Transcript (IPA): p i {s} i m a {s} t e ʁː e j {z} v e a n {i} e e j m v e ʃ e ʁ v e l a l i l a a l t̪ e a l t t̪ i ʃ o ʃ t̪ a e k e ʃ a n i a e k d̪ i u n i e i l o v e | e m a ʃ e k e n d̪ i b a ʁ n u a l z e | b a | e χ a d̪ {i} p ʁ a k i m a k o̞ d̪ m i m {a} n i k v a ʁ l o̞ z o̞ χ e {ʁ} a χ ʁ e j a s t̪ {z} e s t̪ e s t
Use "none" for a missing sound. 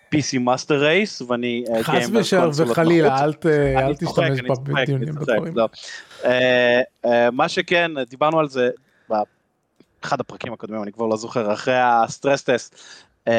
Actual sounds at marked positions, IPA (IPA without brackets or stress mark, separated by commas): s, s, s, i, a, a, ʁ, ʁ